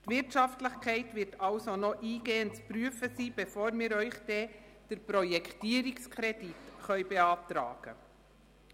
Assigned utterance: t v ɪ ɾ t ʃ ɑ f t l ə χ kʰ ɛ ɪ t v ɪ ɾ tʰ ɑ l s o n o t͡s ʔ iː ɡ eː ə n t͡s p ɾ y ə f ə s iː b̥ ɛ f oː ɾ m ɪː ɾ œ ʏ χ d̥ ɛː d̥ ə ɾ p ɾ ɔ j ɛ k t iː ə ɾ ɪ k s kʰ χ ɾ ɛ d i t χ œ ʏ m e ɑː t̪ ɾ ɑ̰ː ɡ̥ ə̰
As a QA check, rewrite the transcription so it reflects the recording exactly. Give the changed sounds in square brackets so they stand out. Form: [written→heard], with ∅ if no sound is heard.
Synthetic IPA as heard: t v ɪ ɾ t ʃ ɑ f t l ə χ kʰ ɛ ɪ t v ɪ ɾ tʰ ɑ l s o n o [t͡s→∅] ʔ iː ɡ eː ə n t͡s p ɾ y ə f ə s iː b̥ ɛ f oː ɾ m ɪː ɾ œ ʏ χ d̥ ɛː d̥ ə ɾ p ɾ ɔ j ɛ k t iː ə ɾ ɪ k s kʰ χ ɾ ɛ d i t χ œ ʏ [m→b] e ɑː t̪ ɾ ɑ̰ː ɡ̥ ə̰